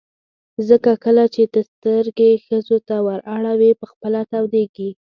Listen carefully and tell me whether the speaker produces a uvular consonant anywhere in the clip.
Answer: no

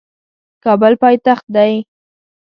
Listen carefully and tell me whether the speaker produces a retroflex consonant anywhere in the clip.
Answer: no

